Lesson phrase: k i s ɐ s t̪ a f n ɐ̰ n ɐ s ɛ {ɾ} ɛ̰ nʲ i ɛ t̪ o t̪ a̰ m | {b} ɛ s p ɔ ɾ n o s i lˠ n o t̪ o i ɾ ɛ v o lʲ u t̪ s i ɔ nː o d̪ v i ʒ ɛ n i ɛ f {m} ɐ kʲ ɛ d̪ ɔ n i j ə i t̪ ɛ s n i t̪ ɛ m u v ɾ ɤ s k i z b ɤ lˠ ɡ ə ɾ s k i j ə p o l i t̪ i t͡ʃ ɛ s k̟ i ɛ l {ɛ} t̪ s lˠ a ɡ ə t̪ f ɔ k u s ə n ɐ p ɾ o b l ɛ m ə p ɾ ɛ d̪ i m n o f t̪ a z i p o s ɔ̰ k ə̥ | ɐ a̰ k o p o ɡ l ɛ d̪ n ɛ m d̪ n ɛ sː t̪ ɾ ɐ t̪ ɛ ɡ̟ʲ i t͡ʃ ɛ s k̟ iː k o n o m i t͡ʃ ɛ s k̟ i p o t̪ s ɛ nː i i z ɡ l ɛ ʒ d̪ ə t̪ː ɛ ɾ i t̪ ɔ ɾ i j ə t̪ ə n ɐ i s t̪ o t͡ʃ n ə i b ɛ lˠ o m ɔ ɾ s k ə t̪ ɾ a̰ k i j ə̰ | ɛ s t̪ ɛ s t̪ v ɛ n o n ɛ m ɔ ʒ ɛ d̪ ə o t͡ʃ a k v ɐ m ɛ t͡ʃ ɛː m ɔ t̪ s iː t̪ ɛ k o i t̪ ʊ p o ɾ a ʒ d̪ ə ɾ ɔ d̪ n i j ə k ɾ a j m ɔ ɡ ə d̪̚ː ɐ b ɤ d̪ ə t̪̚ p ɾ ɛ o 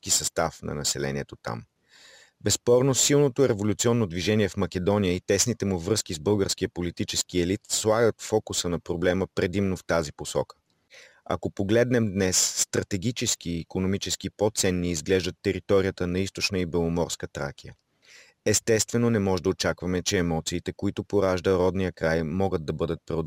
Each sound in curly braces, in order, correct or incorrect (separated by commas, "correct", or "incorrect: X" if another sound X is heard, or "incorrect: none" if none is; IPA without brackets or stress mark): incorrect: l, correct, correct, incorrect: i